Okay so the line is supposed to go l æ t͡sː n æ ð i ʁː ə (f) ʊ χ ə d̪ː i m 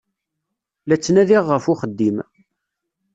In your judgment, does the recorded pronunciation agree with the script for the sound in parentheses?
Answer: yes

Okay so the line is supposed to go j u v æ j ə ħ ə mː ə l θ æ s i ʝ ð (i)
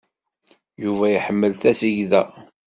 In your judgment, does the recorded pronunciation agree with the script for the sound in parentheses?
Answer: no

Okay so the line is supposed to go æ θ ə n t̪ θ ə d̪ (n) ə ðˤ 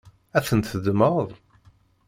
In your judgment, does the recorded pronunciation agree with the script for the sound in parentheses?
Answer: no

